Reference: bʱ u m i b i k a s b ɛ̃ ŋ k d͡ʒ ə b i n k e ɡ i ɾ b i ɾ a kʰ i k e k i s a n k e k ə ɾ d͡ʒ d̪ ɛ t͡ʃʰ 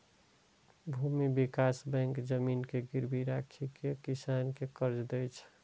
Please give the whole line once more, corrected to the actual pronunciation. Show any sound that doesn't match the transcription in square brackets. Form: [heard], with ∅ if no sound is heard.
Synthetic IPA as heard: bʱ u m i b i k a s b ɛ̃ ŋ k d͡ʒ ə [m] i n k e ɡ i ɾ b i ɾ a kʰ i k e k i s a n k e k ə ɾ d͡ʒ d̪ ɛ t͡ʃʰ